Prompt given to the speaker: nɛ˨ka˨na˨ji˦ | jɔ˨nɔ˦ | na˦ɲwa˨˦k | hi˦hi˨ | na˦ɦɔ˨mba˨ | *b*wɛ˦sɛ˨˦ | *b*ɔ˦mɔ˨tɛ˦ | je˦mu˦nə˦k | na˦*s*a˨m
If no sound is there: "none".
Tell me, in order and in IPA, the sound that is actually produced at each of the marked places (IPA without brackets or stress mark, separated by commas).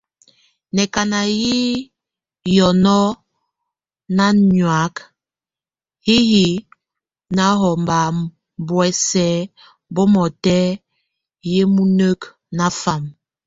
b, b, f